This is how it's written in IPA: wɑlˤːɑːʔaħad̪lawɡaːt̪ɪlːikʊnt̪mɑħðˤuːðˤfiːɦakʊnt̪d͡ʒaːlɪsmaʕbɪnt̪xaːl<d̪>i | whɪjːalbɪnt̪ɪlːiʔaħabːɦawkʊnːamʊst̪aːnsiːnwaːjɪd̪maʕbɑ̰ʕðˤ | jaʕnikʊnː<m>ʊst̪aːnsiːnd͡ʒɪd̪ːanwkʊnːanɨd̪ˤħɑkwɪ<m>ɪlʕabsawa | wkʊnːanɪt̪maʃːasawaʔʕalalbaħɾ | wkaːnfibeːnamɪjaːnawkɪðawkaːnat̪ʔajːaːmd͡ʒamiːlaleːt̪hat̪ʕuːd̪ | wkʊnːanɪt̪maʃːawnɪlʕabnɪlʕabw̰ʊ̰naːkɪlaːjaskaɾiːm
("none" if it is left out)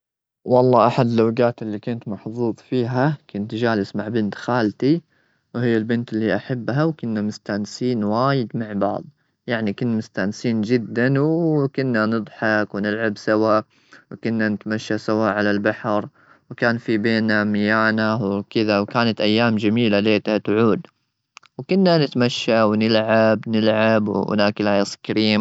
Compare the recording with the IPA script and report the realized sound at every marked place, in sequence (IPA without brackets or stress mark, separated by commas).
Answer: t̪, m, n